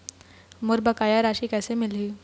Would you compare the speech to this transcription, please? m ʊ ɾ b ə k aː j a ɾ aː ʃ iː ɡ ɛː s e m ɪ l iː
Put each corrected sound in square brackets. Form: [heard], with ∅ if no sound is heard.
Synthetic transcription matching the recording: m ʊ ɾ b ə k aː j a ɾ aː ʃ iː [k] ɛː s e m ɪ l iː